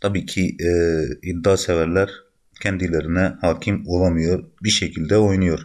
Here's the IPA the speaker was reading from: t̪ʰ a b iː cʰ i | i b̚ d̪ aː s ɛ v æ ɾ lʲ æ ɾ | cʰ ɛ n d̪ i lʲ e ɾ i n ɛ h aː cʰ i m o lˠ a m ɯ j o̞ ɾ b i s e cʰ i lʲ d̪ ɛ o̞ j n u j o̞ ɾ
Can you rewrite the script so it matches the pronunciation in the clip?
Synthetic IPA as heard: t̪ʰ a b iː cʰ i | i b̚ d̪ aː s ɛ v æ ɾ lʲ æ ɾ | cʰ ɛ n d̪ i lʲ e ɾ i n ɛ h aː cʰ i m o lˠ a m ɯ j o̞ ɾ b i ʃ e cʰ i lʲ d̪ ɛ o̞ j n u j o̞ ɾ

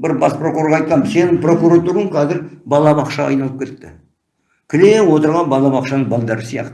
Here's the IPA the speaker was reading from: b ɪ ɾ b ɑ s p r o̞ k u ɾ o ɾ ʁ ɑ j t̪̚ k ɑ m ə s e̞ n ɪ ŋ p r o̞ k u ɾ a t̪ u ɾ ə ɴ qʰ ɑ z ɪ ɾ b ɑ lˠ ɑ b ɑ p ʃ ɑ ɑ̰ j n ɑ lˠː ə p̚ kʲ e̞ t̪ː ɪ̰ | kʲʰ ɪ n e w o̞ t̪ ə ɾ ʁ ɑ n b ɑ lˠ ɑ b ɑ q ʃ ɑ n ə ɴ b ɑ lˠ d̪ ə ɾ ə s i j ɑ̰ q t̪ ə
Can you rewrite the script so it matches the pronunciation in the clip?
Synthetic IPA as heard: b ɪ ɾ b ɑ s p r o̞ k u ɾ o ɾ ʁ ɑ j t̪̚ q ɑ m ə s e̞ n ɪ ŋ p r o̞ k u ɾ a t̪ u ɾ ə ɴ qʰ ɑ z ɪ ɾ b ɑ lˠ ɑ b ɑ q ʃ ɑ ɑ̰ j n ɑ lˠ ə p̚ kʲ e̞ t̪ː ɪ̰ | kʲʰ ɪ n e w o̞ t̪ ə ɾ ʁ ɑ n b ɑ lˠ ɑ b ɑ q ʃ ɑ n ə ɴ b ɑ lˠ d̪ ɑ ɾ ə s i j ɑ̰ q t̪ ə

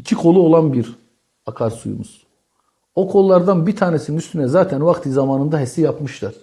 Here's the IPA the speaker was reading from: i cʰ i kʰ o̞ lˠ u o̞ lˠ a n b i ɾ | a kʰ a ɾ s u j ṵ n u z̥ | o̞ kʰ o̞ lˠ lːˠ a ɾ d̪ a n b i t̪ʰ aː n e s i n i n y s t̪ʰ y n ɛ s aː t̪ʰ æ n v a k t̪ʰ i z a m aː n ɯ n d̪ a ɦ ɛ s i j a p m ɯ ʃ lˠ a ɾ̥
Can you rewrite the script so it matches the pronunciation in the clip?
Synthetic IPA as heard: i cʰ i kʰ o̞ lˠ u o̞ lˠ a n b i ɾ | a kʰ a ɾ s u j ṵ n u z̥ | o̞ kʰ o̞ lˠ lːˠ a ɾ d̪ a n b i t̪ʰ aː n e s i n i n y s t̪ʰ y n ɛ z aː t̪ʰ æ n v a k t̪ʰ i z a m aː n ɯ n d̪ a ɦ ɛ s i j a p m ɯ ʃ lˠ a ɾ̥

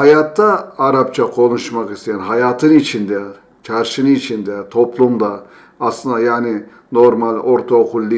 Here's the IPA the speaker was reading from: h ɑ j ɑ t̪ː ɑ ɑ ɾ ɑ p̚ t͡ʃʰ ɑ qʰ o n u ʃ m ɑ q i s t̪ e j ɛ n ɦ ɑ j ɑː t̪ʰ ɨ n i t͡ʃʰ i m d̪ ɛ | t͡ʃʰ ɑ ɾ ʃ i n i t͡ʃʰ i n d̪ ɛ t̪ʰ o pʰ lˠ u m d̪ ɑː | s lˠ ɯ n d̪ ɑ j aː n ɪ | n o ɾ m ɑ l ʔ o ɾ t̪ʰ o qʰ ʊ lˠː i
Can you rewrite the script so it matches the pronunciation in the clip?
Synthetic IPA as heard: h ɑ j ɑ t̪ː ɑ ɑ ɾ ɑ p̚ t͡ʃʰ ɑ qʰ o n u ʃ m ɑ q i s t̪ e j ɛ n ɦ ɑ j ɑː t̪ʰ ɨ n i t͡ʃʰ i n d̪ ɛ | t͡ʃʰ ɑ ɾ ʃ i n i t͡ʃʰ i n d̪ ɛ t̪ʰ o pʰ lˠ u m d̪ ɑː | s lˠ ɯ n d̪ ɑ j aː n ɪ | n o ɾ m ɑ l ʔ o ɾ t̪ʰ o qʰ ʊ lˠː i

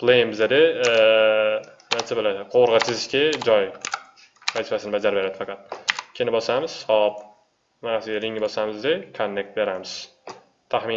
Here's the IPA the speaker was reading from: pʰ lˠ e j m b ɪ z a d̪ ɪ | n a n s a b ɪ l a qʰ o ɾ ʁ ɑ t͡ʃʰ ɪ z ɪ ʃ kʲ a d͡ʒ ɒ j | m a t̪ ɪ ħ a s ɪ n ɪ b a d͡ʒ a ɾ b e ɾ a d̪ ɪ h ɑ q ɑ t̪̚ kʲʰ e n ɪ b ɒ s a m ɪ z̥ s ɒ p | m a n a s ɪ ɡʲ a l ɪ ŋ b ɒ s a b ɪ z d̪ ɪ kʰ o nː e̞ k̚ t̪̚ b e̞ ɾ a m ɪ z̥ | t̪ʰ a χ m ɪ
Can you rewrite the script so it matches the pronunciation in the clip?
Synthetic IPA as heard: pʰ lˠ e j m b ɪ z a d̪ ɪ | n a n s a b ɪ l a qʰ o ɾ ʁ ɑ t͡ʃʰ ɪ z ɪ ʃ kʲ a d͡ʒ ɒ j | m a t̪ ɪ f a s ɪ n ɪ b a d͡ʒ a ɾ b e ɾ a d̪ ɪ f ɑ q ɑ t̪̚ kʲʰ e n ɪ b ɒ s a m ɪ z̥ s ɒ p | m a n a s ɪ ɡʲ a ɾ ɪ ŋ b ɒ s a m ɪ z d̪ ɪ kʰ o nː e̞ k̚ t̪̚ b e̞ ɾ a m ɪ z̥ | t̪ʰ a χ m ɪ

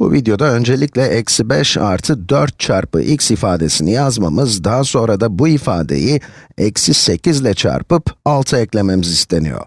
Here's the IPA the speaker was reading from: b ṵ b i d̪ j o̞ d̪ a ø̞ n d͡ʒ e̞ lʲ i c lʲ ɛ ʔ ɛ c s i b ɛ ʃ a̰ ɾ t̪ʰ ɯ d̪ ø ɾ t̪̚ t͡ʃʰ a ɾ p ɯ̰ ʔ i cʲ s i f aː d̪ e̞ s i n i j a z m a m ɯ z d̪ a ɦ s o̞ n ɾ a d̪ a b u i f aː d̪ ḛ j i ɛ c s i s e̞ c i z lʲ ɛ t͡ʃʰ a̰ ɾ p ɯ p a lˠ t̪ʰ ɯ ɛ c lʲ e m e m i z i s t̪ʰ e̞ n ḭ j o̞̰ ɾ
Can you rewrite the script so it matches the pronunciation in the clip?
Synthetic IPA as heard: b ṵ v i d̪ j o̞ d̪ a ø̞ n d͡ʒ e̞ lʲ i c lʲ ɛ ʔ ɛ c s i b ɛ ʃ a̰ ɾ t̪ʰ ɯ d̪ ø ɾ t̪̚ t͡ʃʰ a ɾ p ɯ̰ ʔ i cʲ s i f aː d̪ e̞ s i n i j a z m a m ɯ z d̪ a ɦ s o̞ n ɾ a d̪ a b u i f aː d̪ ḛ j i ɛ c s i s e̞ c i z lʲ ɛ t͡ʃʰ a̰ ɾ p ɯ p a lˠ t̪ʰ ɯ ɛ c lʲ e m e m i z i s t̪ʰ e̞ n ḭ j o̞̰ ɾ

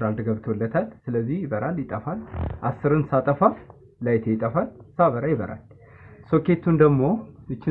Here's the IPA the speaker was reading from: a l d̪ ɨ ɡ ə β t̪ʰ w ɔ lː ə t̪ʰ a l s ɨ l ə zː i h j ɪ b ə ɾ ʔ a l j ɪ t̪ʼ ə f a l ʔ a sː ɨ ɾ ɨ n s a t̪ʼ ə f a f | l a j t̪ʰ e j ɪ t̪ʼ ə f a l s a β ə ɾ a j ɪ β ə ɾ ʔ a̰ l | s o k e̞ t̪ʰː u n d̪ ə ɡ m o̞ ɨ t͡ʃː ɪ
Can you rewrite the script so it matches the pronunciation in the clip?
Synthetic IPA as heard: a l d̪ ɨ ɡ ə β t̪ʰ w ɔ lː ə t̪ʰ a l s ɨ l ə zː i h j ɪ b ə ɾ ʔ a l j ɪ t̪ʼ ə f a l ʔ a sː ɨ ɾ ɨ n s a t̪ʼ ə f a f | l a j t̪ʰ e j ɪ t̪ʼ ə f a l s a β ə ɾ a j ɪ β ə ɾ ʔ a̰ l | s o k e̞ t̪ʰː u n d̪ ə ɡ m o̞ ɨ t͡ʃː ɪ

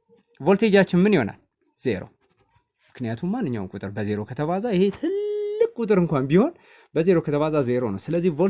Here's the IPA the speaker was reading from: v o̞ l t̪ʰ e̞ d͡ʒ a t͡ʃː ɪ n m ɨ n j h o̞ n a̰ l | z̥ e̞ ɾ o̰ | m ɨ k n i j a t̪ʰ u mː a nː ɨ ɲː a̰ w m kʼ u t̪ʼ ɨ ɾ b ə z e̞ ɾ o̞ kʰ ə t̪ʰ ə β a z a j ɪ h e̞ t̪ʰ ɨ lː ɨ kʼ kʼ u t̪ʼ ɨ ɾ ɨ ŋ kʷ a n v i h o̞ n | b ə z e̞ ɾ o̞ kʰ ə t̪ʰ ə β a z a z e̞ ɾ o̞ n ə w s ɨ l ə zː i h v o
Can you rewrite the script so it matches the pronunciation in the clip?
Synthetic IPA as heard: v o̞ l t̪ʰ e̞ d͡ʒ a t͡ʃː ɪ n m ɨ n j h o̞ n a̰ l | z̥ e̞ ɾ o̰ | m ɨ k n i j a t̪ʰ u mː a nː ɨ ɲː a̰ w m kʼ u t̪ʼ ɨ ɾ b ə z e̞ ɾ o̞ kʰ ə t̪ʰ ə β a z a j ɪ h e̞ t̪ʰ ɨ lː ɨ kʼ kʼ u t̪ʼ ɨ ɾ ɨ ŋ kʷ a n b i h o̞ n | b ə z e̞ ɾ o̞ kʰ ə t̪ʰ ə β a z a z e̞ ɾ o̞ n ə w s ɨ l ə zː i h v o

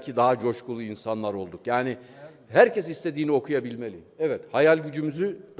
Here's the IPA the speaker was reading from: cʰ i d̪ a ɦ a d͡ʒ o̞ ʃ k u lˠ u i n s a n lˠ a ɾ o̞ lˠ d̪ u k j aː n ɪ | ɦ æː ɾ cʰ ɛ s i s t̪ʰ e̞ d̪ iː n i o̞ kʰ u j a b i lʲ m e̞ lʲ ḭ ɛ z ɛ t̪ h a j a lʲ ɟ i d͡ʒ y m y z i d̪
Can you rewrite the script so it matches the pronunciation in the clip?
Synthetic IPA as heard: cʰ i d̪ a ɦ a d͡ʒ o̞ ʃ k u lˠ u i n s a n lˠ a ɾ o̞ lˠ d̪ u k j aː n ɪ | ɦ æ ɾ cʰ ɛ s i s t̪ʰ e̞ d̪ iː n i o̞ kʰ u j a b i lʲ m e̞ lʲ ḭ ɛ v ɛ t̪ h a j a lʲ ɟ y d͡ʒ y m y z y d̪

